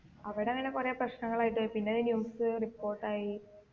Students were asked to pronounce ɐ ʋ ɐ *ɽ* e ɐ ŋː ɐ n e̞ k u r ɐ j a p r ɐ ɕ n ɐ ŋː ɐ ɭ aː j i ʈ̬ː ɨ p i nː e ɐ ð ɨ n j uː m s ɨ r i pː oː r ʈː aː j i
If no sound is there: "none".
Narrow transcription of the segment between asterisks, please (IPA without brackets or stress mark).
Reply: ɽ